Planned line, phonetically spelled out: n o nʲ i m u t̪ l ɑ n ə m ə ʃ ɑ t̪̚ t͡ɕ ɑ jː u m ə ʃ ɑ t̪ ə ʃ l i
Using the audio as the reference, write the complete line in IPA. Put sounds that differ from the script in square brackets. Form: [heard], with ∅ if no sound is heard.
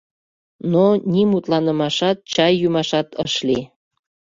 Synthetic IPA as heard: n o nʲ i m u t̪ l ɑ n ə m [ɑ] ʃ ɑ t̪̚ t͡ɕ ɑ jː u m [ɑ] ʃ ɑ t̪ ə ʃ l i

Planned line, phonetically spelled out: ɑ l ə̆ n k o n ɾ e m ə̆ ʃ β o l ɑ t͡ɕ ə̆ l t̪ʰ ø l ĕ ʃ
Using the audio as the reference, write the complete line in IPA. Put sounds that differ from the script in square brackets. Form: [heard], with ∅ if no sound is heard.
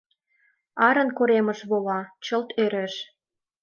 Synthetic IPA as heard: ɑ [ɾ] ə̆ n k o [∅] ɾ e m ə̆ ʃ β o l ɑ t͡ɕ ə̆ l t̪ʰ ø [ɾ] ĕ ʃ

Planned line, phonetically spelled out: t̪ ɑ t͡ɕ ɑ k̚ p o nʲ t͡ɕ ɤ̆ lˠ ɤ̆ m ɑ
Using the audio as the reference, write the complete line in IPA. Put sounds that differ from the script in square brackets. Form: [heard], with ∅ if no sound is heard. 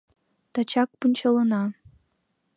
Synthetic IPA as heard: t̪ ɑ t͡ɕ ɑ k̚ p [u] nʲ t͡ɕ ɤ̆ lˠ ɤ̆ [n] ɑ

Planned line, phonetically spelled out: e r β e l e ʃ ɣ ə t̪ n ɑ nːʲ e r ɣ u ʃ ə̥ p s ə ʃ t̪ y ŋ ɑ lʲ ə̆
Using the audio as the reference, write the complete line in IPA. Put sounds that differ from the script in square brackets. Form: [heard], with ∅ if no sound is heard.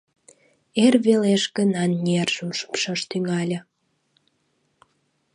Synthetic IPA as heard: e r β e l e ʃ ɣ ə [∅] n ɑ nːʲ e r [ʒ] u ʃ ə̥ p [ʃ] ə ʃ t̪ y ŋ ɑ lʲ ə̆

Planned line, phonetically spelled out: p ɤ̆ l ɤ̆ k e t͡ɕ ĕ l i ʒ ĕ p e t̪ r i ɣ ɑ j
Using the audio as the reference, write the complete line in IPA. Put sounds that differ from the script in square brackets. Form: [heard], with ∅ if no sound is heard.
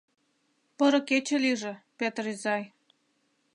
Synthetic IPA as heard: p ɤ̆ [ɾ] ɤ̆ k e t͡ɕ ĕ l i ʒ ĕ p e t̪ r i [z] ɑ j

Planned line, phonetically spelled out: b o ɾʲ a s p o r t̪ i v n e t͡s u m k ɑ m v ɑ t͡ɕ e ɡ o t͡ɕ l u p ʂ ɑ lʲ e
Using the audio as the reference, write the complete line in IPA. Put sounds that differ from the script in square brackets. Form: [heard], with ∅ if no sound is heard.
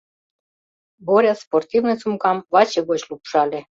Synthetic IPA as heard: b o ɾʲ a s p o r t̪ i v n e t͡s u m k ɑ m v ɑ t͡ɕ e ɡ o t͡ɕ l u p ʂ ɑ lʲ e

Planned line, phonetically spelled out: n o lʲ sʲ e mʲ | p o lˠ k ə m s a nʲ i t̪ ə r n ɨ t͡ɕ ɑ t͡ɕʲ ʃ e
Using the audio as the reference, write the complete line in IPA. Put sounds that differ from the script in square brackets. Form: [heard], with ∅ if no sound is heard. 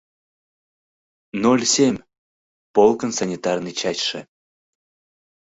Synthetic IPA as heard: n o lʲ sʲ e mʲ | p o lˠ k ə [n] s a nʲ i t̪ [ɑ] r n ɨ t͡ɕ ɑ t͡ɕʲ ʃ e

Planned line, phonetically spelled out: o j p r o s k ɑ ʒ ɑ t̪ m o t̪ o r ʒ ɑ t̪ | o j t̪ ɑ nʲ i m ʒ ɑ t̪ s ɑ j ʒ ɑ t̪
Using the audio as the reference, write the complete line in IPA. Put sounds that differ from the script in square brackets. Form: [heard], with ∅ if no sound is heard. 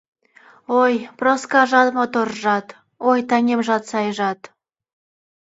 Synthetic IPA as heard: o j p r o s k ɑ ʒ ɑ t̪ m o t̪ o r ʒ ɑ t̪ | o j t̪ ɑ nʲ [e] m ʒ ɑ t̪ s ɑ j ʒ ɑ t̪

